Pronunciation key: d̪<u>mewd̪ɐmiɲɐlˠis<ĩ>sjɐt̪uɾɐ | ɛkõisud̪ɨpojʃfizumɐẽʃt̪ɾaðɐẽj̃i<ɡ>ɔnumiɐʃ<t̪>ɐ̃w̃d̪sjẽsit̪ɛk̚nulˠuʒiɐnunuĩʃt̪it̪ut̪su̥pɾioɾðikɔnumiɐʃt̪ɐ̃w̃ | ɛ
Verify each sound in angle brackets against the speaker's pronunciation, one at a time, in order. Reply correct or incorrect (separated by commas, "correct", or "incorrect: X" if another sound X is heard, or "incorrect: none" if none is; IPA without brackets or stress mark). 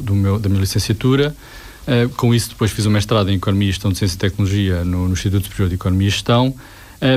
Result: correct, incorrect: ẽ, incorrect: k, correct